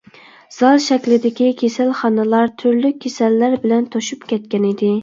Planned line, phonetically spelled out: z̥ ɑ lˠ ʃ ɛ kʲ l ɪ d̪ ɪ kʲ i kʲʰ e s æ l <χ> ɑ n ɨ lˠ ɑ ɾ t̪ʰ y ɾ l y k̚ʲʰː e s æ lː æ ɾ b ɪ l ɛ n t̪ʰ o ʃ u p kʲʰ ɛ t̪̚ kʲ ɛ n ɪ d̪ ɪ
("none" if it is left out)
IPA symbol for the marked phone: χ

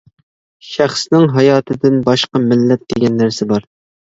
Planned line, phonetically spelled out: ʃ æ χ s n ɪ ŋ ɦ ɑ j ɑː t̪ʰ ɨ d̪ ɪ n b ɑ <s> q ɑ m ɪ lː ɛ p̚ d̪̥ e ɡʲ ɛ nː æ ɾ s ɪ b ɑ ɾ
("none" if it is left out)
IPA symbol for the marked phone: ʃ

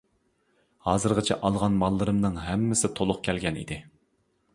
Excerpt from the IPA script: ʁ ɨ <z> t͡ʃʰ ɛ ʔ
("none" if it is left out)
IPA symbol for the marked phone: none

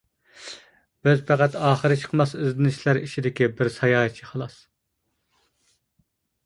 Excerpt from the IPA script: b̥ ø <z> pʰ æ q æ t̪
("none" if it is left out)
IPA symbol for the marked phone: z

